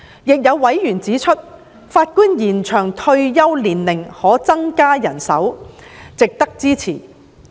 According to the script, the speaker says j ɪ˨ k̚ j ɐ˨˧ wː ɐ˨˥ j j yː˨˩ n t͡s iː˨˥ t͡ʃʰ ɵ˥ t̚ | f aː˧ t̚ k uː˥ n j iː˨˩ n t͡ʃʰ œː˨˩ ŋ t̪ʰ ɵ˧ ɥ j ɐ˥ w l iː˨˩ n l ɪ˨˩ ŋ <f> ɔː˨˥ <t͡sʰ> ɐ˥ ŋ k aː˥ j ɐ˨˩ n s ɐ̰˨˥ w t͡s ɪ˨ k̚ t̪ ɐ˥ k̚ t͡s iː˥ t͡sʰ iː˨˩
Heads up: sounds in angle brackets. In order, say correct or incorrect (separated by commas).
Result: incorrect, incorrect